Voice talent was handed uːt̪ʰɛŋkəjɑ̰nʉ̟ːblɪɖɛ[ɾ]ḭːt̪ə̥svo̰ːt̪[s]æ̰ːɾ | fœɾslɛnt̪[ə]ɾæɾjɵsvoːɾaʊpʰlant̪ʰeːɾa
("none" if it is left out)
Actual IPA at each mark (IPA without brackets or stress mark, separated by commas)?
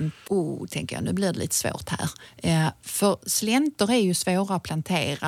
l, h, ə